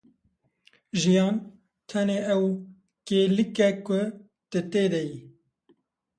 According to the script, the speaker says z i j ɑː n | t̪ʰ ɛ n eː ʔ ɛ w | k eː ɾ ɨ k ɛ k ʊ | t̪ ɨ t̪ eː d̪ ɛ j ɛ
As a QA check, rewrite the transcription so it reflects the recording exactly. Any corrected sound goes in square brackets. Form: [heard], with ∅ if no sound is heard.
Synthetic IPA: [ʒ] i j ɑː n | t̪ʰ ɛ n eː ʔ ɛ w | k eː [l] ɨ k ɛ k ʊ | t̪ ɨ t̪ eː d̪ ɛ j [i]